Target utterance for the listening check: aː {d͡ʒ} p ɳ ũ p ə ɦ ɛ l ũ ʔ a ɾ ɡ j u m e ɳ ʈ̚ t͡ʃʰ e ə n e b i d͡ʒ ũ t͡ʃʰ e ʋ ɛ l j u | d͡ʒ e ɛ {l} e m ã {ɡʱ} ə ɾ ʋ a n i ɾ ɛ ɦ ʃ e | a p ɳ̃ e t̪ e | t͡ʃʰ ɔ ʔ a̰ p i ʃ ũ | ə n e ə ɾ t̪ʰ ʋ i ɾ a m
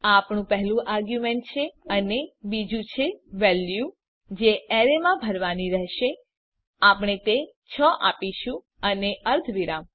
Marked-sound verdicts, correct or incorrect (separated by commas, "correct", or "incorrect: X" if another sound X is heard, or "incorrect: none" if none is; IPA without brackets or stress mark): incorrect: none, incorrect: ɾ, incorrect: bʱ